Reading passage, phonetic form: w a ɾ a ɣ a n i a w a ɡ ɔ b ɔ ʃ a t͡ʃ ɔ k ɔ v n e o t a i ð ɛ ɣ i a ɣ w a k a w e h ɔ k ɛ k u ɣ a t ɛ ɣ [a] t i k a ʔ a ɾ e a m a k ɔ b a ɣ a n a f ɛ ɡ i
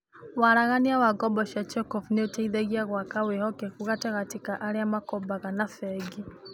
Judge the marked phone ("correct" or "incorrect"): correct